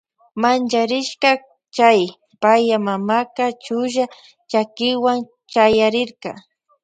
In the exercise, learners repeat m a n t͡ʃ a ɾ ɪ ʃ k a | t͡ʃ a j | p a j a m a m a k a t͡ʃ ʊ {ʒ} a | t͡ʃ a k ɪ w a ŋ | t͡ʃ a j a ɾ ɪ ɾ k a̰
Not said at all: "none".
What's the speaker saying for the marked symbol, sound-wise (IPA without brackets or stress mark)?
ʒ